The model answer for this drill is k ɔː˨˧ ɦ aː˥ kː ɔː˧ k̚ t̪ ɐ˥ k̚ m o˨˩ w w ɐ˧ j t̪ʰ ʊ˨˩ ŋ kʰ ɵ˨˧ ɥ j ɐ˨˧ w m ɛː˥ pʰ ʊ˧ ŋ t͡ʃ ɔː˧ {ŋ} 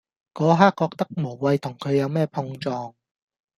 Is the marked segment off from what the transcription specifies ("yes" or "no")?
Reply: no